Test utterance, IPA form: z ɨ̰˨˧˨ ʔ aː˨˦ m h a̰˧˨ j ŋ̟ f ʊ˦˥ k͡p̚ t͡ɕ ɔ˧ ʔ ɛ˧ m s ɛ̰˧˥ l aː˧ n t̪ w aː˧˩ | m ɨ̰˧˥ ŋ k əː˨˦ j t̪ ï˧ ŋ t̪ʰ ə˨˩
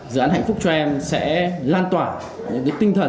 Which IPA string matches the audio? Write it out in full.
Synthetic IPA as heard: z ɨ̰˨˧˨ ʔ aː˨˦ n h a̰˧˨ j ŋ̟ f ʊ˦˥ k͡p̚ t͡ɕ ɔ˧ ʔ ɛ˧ m s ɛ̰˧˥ l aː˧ n t̪ w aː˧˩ | ɲ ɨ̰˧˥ ŋ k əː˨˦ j t̪ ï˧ ŋ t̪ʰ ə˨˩